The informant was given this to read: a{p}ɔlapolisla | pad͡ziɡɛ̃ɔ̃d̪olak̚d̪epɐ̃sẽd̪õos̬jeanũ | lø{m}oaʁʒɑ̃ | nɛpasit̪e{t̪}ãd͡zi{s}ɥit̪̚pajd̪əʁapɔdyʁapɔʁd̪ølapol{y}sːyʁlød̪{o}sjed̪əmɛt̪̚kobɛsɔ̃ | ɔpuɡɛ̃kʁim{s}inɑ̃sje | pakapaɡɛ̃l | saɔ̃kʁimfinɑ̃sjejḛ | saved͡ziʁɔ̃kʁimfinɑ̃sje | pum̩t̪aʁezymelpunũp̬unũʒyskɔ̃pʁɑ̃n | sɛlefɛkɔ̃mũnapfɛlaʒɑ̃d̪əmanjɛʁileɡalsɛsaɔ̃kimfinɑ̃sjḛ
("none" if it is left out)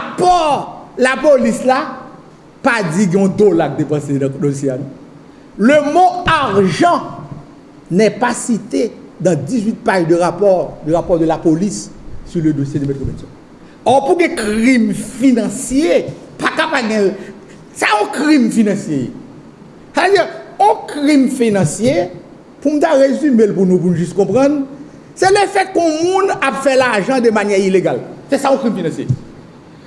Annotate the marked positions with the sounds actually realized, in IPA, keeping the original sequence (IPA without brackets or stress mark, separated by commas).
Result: p, m, d̪, z, i, o, f